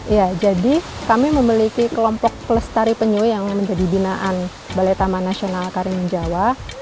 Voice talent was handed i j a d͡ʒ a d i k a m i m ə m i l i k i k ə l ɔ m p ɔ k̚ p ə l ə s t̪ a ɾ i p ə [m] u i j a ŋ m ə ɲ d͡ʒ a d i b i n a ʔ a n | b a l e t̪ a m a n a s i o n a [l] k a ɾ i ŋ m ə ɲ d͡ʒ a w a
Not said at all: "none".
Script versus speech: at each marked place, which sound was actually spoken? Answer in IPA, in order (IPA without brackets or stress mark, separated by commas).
ɲ, l